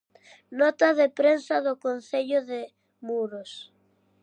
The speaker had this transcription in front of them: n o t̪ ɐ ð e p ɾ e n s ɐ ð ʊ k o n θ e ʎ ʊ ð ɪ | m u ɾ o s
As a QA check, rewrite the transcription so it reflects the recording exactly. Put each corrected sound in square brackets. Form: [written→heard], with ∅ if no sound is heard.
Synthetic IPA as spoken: n [o→ɔ] t̪ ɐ ð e p ɾ e n s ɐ ð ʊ k o n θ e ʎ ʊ ð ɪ | m u ɾ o s